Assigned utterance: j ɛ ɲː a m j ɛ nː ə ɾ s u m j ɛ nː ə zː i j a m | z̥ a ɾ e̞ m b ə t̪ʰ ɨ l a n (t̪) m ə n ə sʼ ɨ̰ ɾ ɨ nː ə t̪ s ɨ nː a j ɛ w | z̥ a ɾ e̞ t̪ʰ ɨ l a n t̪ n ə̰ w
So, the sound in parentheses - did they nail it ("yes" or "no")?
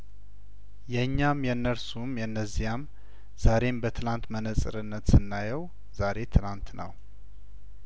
yes